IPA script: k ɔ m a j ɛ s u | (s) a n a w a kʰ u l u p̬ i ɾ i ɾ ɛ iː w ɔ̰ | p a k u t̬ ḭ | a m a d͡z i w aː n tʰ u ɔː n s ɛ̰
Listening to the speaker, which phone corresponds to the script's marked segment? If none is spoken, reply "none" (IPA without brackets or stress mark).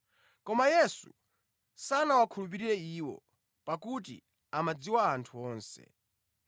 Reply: s